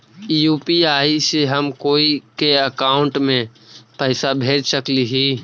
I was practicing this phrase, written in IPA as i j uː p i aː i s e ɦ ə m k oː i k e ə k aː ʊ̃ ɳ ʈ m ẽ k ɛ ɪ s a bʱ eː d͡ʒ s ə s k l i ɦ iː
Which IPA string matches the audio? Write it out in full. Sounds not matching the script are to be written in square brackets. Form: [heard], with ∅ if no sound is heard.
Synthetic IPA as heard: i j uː p i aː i s e ɦ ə m k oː i k e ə k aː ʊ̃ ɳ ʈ m ẽ [p] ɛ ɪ s a bʱ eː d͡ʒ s ə [∅] k l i ɦ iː